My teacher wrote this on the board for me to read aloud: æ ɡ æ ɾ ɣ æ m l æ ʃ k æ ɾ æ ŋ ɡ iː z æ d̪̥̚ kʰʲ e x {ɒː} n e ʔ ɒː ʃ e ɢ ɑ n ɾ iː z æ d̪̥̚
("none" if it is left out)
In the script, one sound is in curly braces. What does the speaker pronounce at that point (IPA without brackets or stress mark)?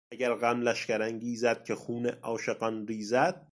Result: uː